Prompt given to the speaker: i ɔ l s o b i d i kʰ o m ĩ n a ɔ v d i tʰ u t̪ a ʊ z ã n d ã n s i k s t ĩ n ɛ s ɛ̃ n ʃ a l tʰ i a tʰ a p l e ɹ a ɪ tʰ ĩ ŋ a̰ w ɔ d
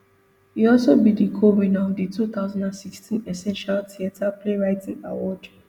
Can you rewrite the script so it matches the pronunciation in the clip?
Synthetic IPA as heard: i ɔ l s o b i d i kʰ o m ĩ n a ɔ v d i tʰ u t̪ a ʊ z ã n d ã n s i k s t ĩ n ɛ s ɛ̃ n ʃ a l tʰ i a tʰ a p l e ɹ a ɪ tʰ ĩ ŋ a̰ w ɔ d